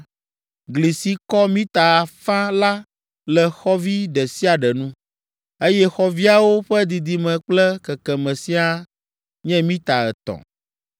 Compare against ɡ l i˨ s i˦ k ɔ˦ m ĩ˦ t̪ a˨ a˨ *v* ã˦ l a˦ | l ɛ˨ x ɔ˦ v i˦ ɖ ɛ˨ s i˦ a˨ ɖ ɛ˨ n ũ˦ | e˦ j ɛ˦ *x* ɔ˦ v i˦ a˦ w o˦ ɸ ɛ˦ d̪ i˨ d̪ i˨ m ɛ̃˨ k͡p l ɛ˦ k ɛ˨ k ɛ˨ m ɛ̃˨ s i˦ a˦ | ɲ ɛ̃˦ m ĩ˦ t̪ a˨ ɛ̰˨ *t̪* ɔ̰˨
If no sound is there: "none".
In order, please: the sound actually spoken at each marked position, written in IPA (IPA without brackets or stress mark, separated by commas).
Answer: f, x, t̪